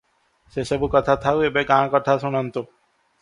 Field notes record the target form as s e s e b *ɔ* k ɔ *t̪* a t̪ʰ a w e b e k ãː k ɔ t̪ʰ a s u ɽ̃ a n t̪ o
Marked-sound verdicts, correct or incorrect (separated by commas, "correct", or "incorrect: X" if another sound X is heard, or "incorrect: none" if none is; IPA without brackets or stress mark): incorrect: u, incorrect: t̪ʰ